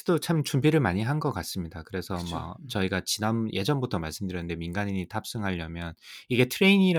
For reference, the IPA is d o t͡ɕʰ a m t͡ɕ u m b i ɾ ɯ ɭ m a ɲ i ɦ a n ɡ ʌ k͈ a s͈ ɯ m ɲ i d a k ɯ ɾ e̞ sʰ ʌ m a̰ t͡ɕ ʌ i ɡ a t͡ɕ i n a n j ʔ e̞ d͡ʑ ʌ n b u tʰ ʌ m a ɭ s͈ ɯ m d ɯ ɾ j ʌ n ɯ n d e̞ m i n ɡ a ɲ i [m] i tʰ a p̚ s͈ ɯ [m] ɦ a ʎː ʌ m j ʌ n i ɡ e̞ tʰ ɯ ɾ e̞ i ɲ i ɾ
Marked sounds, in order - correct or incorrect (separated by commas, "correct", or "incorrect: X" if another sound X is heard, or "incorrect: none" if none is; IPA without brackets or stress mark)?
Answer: incorrect: ɲ, incorrect: ŋ